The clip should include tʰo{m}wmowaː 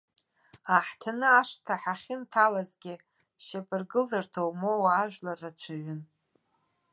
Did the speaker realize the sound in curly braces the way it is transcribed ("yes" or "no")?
no